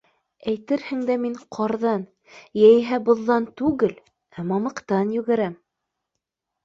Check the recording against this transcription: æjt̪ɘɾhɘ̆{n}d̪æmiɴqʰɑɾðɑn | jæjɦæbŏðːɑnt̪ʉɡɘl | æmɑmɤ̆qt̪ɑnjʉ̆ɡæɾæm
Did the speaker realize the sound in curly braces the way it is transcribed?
no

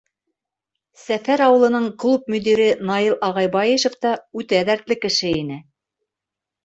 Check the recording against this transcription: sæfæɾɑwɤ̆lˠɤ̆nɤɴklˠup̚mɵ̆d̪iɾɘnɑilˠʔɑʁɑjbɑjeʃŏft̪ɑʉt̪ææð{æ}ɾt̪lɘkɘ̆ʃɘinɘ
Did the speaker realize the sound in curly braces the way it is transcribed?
yes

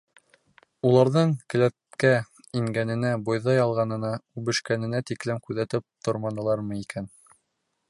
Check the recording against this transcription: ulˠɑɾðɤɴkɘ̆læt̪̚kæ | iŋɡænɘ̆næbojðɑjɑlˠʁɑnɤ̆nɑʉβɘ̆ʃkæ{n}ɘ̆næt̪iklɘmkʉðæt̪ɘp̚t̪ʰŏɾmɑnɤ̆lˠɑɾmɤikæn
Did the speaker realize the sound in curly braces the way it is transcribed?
yes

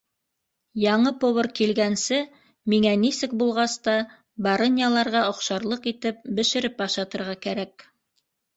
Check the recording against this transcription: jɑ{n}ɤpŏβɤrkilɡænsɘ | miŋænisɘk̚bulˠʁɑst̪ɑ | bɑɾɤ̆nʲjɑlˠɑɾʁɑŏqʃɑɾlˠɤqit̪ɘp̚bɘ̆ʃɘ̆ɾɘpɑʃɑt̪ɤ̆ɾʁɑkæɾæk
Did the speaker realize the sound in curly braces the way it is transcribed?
no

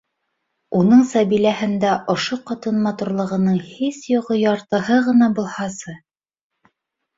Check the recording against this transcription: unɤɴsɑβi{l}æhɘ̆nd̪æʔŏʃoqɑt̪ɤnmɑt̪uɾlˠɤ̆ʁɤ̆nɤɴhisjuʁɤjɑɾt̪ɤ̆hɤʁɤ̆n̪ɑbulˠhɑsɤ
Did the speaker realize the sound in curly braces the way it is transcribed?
yes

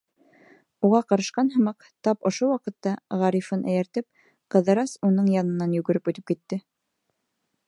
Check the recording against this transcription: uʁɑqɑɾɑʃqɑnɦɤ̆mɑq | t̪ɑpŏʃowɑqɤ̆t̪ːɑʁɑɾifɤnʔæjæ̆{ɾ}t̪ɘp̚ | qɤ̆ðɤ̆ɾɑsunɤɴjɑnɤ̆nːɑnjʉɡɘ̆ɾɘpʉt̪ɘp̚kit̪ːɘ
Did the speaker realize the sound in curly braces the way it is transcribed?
yes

